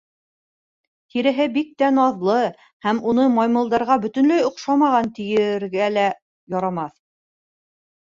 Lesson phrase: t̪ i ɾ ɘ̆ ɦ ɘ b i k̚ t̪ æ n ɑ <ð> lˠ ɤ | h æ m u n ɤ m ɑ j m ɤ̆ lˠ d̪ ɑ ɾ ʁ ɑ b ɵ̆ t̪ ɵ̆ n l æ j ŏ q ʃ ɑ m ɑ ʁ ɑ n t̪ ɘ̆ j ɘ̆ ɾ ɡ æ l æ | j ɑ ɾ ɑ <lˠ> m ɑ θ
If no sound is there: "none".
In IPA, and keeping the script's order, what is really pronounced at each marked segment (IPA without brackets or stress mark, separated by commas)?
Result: ð, none